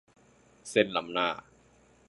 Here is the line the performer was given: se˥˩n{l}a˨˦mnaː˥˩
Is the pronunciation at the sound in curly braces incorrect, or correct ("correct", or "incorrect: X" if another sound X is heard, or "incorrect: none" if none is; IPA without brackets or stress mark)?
correct